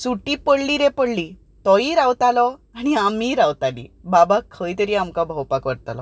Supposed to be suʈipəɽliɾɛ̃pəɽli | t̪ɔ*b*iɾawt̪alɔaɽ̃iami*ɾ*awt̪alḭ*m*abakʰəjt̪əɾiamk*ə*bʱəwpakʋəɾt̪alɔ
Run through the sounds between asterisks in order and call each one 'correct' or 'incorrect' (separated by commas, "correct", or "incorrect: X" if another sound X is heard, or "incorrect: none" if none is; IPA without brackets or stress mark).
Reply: incorrect: none, correct, incorrect: b, incorrect: a